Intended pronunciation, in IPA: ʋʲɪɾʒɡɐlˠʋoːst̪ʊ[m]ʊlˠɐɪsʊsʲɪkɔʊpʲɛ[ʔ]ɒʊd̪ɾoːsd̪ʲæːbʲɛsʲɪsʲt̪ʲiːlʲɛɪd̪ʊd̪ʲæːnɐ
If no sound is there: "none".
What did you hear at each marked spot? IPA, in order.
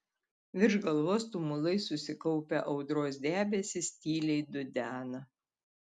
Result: m, ʔ

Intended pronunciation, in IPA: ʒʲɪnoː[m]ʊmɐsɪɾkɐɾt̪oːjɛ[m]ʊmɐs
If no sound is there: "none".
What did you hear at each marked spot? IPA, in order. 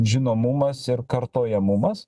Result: m, m

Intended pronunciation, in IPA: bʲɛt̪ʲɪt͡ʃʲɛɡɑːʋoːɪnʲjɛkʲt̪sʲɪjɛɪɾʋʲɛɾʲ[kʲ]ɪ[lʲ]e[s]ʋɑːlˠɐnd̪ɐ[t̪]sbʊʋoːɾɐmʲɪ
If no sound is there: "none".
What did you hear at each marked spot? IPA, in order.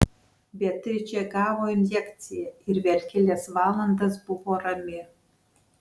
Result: kʲ, lʲ, s, none

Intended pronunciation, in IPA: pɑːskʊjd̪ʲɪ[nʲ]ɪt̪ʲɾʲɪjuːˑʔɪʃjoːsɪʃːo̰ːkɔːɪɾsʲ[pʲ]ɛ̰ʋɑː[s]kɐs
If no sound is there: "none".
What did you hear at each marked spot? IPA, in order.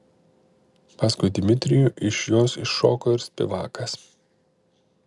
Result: mʲ, pʲ, none

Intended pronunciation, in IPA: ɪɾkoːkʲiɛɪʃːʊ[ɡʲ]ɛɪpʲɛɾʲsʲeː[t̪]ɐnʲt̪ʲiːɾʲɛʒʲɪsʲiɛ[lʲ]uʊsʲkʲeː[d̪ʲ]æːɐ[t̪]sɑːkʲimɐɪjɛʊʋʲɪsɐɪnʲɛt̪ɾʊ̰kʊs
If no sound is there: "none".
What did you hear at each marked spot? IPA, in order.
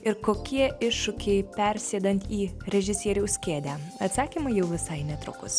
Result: kʲ, d̪, ɾʲ, d̪ʲ, t̪

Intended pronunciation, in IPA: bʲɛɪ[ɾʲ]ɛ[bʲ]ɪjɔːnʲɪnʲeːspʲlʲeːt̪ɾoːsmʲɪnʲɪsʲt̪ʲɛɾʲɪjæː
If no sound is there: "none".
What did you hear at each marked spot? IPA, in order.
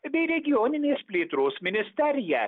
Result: ɾʲ, ɡʲ

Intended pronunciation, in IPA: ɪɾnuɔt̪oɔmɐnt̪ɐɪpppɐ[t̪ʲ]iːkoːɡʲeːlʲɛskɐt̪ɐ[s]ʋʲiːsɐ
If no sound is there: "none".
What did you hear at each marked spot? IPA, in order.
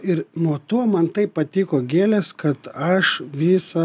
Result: t̪ʲ, ʃ

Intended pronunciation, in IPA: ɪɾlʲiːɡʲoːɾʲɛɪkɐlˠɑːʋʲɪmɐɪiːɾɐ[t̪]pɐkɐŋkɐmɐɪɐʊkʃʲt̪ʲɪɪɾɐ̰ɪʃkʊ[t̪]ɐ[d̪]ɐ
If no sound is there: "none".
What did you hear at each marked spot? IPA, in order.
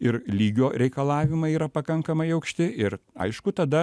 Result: none, t̪, d̪

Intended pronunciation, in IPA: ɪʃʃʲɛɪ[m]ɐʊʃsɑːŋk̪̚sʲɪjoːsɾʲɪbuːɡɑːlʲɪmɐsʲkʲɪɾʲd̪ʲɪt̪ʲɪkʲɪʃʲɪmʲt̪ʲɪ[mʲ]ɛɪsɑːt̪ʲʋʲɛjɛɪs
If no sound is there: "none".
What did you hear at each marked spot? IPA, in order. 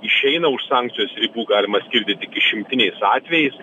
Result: n, nʲ

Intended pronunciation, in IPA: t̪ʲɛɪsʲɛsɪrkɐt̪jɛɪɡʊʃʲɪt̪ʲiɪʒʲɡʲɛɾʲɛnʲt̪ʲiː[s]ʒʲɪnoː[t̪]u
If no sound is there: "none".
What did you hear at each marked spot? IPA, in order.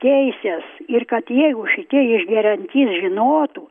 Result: s, t̪

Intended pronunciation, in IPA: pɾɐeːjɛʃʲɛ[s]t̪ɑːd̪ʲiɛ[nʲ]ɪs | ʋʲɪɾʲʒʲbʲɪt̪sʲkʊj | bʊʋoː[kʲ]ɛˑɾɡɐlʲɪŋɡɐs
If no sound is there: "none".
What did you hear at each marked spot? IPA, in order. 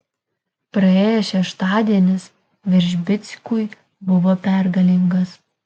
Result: ʃ, nʲ, pʲ

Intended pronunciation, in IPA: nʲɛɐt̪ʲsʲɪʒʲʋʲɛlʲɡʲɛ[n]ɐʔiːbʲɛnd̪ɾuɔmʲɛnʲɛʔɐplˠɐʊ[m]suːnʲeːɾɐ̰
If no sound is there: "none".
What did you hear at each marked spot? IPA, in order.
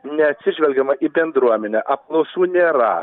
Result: m, none

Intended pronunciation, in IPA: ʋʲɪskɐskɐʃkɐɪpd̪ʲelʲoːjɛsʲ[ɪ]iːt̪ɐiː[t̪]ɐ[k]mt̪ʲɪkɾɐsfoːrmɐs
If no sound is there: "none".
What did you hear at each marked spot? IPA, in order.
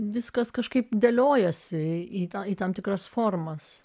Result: ɪ, t̪, none

